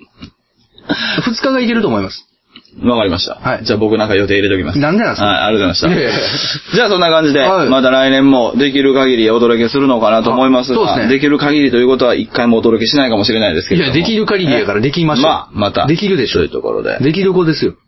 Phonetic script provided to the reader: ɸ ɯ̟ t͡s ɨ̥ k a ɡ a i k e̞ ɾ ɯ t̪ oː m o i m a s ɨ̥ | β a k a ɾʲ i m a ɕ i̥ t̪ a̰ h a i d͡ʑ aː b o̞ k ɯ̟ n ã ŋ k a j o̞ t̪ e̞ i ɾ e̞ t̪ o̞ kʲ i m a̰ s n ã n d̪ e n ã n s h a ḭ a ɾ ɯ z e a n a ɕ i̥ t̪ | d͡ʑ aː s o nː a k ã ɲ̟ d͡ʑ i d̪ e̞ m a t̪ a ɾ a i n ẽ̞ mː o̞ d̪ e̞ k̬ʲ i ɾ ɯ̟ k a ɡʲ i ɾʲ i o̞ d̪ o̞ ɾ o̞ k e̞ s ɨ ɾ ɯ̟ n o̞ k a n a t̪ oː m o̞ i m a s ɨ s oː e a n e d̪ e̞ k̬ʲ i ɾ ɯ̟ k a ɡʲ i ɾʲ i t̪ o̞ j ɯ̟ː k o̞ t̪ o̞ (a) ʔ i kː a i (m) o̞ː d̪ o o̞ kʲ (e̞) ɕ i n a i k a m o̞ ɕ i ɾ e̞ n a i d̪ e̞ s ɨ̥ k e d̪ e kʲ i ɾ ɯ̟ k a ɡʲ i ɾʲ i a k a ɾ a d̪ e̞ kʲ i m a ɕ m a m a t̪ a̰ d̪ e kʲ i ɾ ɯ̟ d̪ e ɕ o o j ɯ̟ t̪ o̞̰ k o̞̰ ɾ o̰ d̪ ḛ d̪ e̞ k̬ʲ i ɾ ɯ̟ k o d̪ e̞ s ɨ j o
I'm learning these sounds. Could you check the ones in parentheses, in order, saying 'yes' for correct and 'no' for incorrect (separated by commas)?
yes, yes, yes